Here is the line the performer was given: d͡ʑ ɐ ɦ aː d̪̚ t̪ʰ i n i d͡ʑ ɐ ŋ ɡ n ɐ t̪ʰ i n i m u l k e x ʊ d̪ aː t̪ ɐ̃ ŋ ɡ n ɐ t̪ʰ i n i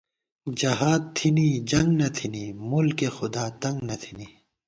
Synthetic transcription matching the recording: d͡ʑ ɐ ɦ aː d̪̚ t̪ʰ i n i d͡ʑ ɐ ŋ ɡ n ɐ t̪ʰ i n i m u l k e x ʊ d̪ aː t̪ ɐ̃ ŋ ɡ n ɐ t̪ʰ i n i